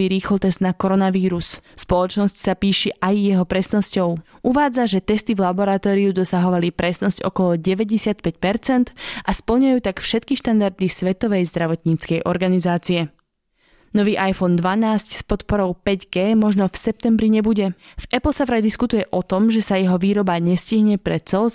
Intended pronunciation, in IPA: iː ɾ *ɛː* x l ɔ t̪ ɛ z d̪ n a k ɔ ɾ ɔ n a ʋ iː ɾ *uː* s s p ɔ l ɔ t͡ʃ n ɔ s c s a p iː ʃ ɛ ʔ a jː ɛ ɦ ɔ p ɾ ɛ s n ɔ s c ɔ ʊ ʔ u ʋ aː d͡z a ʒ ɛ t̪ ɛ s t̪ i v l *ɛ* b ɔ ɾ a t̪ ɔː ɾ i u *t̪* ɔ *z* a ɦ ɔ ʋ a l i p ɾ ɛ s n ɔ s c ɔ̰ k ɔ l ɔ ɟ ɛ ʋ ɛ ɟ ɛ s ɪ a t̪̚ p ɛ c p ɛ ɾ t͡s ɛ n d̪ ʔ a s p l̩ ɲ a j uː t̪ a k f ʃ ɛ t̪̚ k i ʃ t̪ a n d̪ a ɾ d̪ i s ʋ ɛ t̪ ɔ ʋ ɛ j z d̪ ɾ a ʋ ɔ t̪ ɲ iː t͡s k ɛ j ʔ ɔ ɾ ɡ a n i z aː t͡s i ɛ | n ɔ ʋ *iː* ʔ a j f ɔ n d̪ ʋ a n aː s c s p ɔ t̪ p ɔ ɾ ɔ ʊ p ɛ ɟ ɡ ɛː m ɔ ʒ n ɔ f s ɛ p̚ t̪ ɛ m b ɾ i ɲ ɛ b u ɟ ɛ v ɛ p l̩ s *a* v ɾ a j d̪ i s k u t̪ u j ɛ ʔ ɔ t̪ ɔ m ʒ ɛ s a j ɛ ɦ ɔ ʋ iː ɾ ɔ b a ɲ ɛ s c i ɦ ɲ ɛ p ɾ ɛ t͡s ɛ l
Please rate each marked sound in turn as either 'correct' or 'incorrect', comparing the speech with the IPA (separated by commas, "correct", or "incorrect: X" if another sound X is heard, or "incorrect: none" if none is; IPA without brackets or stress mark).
incorrect: iː, incorrect: u, incorrect: a, incorrect: d̪, incorrect: s, correct, correct